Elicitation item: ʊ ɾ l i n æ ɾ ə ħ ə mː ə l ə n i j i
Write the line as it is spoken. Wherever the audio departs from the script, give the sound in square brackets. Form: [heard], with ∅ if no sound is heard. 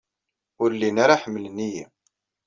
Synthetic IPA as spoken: ʊ ɾ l i n [a] ɾ [a] ħ ə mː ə l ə n i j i